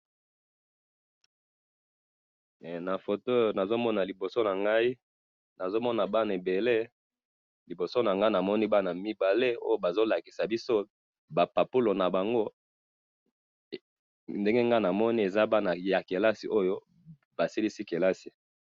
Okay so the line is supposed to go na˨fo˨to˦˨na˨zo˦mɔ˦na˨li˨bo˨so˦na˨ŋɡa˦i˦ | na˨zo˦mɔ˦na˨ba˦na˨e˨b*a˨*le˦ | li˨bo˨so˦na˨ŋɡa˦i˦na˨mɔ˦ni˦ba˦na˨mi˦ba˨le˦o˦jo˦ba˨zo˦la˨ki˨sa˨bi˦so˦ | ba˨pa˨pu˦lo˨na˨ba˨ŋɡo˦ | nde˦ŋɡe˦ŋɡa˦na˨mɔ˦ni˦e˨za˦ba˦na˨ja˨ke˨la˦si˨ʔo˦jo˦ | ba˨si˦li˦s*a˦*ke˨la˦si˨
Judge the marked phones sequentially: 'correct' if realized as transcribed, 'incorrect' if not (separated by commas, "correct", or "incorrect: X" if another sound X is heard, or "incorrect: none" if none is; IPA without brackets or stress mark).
incorrect: e˨, incorrect: i˦